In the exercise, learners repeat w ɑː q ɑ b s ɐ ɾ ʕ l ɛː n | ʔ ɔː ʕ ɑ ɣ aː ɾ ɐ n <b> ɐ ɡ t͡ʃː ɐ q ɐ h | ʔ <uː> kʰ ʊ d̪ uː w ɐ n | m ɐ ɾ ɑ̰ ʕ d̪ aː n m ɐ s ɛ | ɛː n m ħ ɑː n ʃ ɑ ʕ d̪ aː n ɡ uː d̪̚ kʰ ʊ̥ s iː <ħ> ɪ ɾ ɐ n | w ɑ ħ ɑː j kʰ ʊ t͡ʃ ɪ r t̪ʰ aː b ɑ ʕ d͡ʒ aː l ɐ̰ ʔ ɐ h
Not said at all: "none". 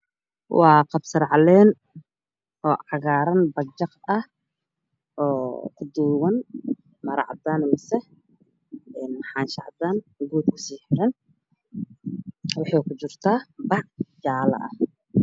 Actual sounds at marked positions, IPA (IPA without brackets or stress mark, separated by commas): b, ɔː, ħ